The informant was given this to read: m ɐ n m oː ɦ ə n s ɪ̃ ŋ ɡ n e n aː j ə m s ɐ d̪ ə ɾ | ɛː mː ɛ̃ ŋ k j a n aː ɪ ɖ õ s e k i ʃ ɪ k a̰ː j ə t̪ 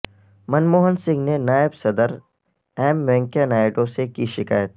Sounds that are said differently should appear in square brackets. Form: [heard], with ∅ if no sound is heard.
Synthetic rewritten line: m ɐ n m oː ɦ ə n s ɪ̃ ŋ ɡ n e n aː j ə [b] s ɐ d̪ ə ɾ | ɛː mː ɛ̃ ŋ k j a n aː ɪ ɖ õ s e k i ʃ ɪ k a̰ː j ə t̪

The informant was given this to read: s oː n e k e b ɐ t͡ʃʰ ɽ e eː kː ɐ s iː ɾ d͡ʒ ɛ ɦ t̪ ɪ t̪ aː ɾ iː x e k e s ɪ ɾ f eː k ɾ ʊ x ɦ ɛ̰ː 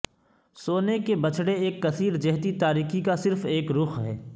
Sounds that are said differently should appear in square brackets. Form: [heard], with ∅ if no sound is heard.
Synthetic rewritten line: s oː n e k e b ɐ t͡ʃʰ ɽ e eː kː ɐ s iː ɾ d͡ʒ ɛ ɦ t̪ [i] t̪ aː ɾ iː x [i] k [a] s ɪ ɾ f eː k ɾ ʊ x ɦ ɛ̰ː

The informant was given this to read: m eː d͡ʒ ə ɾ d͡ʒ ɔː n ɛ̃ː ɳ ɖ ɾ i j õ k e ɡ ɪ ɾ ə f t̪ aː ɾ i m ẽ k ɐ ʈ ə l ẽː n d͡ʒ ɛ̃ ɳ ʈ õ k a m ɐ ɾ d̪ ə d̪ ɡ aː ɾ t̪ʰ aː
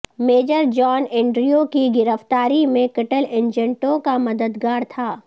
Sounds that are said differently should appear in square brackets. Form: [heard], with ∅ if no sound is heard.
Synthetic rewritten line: m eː d͡ʒ ə ɾ d͡ʒ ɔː n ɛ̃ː ɳ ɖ ɾ i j [o] k [i] ɡ ɪ ɾ ə f t̪ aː ɾ i m ẽ k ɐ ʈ ə l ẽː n d͡ʒ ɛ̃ ɳ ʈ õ k a m ɐ [∅] d̪ ə d̪ ɡ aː ɾ t̪ʰ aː

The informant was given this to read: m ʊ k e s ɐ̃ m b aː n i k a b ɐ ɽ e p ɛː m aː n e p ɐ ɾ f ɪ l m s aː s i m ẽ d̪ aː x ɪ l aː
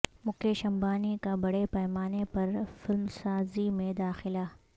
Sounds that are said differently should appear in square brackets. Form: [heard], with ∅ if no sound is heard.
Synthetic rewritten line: m ʊ k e [ʃ] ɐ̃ m b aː n i k a b ɐ ɽ e p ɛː m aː n e p ɐ ɾ f ɪ l m s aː [z] i m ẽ d̪ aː x ɪ l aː

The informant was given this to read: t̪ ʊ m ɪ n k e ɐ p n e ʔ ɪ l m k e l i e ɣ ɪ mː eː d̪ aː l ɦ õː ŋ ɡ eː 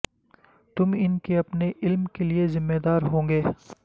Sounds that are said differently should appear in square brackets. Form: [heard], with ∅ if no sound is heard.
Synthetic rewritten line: t̪ ʊ m ɪ n k e ɐ p n e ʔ ɪ l m k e l i e [z] ɪ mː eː d̪ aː [ɾ] ɦ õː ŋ ɡ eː

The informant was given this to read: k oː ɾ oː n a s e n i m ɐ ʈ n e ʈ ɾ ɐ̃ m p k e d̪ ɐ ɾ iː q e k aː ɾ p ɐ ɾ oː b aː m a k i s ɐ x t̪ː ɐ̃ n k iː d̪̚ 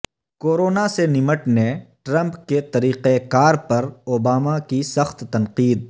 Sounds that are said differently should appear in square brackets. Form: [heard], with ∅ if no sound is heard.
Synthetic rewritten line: k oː ɾ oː n a s e n [ɪ] m [ə] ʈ n e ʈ ɾ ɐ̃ m p k e [t̪] ɐ ɾ iː q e k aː ɾ p ɐ ɾ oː b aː m a k i s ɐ x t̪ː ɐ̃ n [q] iː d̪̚

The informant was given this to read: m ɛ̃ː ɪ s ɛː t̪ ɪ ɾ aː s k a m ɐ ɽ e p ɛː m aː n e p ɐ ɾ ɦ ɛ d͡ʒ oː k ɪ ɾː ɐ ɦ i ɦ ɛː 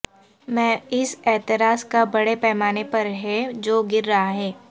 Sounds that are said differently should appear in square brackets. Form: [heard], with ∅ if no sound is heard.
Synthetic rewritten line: m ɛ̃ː ɪ s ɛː t̪ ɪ ɾ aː s k a [b] ɐ ɽ e p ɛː m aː n e p ɐ ɾ ɦ ɛ d͡ʒ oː [ɡ] ɪ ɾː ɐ ɦ [a] ɦ ɛː

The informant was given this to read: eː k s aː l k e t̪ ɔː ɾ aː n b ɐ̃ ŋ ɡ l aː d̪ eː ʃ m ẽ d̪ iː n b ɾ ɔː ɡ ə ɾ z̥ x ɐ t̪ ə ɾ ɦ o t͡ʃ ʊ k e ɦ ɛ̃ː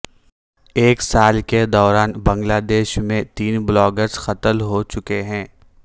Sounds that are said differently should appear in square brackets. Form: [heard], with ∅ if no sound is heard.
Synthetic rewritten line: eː k s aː l k e [d̪] ɔː ɾ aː n b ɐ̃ ŋ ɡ l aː d̪ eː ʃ m ẽ [t̪] iː n b [l] ɔː ɡ ə ɾ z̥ x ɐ t̪ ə [l] ɦ o t͡ʃ ʊ k e ɦ ɛ̃ː

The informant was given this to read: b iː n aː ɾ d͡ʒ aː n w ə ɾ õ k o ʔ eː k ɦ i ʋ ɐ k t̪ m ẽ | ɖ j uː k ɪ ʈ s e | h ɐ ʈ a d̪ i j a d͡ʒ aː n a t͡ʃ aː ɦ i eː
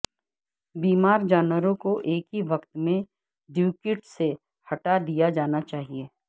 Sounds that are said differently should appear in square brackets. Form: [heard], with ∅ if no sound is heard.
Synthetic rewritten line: b iː [m] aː ɾ d͡ʒ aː n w ə ɾ õ k o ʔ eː k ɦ i ʋ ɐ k t̪ m ẽ | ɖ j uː k ɪ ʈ s e | h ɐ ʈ a d̪ i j a d͡ʒ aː n a t͡ʃ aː ɦ i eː

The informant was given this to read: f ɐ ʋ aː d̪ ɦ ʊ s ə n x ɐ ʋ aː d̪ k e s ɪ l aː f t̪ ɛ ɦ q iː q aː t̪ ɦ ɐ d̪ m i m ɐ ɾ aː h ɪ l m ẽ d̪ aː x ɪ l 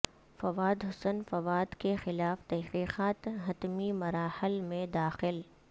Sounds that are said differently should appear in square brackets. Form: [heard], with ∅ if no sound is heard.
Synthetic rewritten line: f ɐ ʋ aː d̪ ɦ ʊ s ə n [f] ɐ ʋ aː d̪ k e [x] ɪ l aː f t̪ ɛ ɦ q iː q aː t̪ ɦ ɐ [t̪] m i m ɐ ɾ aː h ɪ l m ẽ d̪ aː x ɪ l

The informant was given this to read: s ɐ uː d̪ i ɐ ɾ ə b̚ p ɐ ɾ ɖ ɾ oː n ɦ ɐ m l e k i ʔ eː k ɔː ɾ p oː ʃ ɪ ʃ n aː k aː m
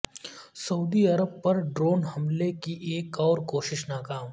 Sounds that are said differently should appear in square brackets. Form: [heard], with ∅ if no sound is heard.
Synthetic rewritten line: s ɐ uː d̪ i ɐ ɾ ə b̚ p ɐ ɾ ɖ ɾ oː n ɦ ɐ m l e k i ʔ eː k ɔː ɾ [k] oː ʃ ɪ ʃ n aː k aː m

